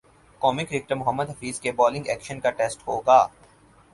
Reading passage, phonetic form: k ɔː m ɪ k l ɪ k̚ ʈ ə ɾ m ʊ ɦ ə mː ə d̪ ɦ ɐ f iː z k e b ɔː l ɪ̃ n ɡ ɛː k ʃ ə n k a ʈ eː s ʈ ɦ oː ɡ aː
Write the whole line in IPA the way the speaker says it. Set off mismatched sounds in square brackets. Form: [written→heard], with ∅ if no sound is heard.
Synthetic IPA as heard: k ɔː m ɪ k [l→ɾ] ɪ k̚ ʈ ə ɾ m ʊ ɦ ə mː ə d̪ ɦ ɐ f iː z k e b ɔː l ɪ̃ [n→ŋ] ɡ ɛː k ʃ ə n k a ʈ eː s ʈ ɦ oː ɡ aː